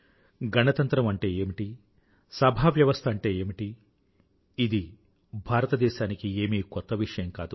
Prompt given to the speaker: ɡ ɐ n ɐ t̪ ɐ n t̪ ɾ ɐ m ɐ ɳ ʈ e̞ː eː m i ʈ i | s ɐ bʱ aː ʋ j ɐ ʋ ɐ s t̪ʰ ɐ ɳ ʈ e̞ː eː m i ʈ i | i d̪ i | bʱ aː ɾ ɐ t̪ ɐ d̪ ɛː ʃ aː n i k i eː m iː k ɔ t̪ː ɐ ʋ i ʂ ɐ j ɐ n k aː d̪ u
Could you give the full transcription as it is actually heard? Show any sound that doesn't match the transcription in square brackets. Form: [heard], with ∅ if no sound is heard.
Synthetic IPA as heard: ɡ ɐ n ɐ t̪ ɐ n t̪ ɾ ɐ m ɐ ɳ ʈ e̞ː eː m i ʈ i | s ɐ bʱ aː ʋ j ɐ ʋ ɐ s t̪ʰ ɐ ɳ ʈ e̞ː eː m i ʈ i | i d̪ i | bʱ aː ɾ ɐ t̪ ɐ d̪ ɛː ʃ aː n i k i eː m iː k ɔ t̪ː ɐ ʋ i ʂ ɐ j ɐ [m] k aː d̪ u